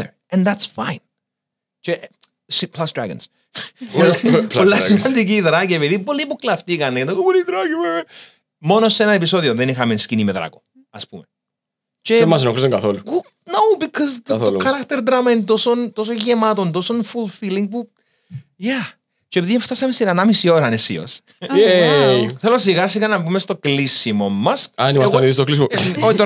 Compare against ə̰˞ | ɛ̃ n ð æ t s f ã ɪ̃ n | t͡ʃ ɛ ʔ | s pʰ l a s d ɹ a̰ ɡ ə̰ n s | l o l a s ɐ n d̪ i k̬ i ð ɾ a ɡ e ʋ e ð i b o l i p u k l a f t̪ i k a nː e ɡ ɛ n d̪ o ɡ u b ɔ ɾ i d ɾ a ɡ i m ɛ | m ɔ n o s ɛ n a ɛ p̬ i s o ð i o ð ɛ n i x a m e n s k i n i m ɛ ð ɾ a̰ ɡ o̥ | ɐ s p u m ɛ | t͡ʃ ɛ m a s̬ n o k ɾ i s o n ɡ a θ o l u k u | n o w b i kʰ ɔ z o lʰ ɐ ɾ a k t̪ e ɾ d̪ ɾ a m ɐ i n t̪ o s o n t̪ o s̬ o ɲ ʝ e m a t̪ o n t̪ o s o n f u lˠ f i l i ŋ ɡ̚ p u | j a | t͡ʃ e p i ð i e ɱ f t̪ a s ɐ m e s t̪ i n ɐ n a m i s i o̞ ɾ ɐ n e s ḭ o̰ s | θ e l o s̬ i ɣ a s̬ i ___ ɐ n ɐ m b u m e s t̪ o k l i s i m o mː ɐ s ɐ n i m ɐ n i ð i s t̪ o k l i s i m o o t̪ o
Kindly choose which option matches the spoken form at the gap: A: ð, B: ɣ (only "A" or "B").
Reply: B